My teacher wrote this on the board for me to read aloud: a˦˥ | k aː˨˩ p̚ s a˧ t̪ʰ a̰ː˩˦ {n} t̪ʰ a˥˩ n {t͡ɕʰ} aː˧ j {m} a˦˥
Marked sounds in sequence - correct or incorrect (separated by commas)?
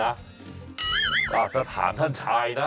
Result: correct, correct, incorrect